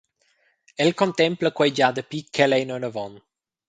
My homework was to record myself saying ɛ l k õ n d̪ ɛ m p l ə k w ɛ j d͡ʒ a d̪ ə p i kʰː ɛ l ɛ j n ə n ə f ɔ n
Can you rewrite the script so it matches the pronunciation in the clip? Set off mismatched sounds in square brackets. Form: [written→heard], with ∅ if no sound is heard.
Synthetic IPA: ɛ l k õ n [d̪→t̪] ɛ m p l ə k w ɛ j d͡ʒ a d̪ ə p i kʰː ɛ l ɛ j n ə n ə [f→v] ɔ n